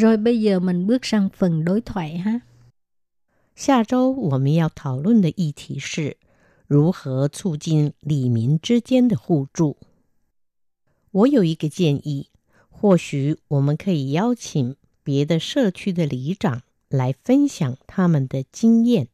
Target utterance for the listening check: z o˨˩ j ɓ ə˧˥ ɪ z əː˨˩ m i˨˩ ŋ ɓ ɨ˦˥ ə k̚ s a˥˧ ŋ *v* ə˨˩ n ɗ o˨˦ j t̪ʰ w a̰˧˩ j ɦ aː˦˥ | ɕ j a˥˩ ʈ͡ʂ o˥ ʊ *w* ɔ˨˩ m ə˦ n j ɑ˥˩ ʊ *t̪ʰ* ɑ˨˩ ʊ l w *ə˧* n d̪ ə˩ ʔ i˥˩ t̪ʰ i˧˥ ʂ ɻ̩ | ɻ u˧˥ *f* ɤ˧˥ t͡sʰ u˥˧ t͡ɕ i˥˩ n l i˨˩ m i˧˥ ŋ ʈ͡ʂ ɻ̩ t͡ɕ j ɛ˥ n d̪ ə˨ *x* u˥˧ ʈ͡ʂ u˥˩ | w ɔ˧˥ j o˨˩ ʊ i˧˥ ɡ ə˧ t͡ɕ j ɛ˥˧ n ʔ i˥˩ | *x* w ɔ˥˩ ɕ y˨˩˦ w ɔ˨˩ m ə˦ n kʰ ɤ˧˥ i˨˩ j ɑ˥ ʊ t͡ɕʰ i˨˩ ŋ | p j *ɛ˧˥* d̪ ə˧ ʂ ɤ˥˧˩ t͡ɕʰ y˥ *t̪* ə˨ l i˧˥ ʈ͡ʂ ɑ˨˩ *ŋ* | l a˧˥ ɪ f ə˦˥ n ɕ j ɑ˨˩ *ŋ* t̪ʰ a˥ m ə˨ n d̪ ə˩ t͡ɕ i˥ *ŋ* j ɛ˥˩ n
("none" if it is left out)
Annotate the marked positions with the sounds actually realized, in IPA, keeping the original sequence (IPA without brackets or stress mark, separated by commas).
f, w, t̪ʰ, ə˥˩, x, x, x, ɛ˧˥, d̪, ŋ, ŋ, ŋ